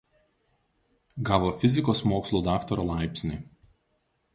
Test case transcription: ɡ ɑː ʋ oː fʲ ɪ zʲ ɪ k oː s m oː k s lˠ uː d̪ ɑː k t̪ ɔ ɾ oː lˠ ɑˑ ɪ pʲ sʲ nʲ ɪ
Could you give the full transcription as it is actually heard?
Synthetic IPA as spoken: ɡ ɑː ʋ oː fʲ ɪ zʲ ɪ k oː s m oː k s lˠ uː d̪ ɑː k t̪ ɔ ɾ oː lˠ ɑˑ ɪ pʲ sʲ nʲ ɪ